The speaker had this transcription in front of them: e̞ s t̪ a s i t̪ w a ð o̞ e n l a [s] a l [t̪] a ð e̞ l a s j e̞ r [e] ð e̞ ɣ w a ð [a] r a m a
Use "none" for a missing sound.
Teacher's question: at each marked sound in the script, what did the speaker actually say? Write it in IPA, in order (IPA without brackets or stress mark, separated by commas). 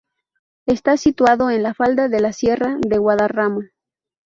f, d̪, a, a